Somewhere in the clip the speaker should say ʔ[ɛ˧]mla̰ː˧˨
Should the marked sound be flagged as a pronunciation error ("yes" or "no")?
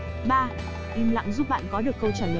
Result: yes